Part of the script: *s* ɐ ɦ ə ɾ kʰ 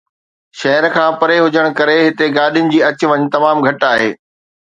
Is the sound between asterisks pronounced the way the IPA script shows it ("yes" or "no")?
no